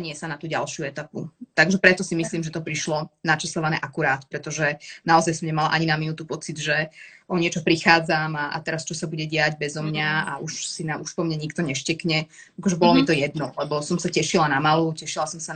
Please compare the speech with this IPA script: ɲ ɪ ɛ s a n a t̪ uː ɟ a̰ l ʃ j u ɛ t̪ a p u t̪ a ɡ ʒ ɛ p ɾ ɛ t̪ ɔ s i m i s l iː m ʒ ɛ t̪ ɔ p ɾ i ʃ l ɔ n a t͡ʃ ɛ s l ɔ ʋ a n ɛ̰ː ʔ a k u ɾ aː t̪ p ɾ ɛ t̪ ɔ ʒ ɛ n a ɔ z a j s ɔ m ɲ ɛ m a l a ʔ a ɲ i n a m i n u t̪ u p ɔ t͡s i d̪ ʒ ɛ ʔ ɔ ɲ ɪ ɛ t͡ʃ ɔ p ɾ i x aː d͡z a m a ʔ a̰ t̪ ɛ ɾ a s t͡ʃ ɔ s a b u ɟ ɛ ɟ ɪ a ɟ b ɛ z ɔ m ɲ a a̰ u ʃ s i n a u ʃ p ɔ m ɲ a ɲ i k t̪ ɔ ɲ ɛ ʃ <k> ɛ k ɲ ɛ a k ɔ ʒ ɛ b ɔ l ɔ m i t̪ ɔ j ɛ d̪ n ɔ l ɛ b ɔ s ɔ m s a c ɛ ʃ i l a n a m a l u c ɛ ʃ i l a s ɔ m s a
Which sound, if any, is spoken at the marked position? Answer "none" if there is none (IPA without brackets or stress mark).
c